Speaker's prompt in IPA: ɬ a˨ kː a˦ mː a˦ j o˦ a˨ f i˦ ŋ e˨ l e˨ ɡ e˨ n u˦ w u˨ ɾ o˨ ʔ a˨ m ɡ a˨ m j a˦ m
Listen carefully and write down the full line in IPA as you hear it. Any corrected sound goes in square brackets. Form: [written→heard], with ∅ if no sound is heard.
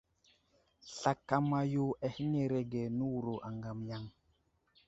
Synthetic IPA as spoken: ɬ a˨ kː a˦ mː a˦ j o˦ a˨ [f→h] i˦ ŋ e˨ [l→ɾ] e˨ ɡ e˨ n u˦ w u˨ ɾ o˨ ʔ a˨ [m→ŋ] ɡ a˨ m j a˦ [m→ŋ]